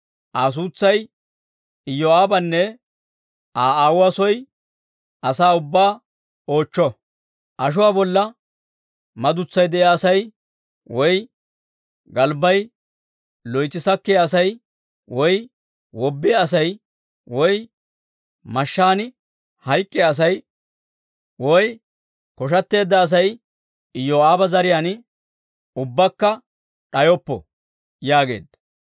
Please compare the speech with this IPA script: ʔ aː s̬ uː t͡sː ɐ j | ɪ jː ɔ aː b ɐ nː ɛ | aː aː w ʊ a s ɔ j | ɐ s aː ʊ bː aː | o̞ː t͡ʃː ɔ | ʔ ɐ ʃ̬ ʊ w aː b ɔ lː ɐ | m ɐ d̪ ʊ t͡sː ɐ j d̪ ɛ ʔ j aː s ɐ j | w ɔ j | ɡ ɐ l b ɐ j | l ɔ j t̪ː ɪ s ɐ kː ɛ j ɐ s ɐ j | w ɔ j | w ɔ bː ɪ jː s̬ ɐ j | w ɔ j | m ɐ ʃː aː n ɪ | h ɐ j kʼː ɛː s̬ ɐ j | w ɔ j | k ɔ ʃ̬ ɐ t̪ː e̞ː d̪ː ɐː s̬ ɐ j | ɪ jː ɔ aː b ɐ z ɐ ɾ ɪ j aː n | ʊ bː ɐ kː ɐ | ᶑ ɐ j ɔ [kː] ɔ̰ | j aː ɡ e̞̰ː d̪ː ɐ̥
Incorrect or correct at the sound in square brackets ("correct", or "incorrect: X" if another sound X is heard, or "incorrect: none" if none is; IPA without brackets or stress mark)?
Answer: incorrect: pː